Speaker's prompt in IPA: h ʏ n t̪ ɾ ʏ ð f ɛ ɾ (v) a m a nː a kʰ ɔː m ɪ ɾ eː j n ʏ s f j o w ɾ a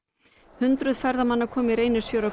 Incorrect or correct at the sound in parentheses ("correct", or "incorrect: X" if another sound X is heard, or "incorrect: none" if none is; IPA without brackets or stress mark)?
incorrect: ð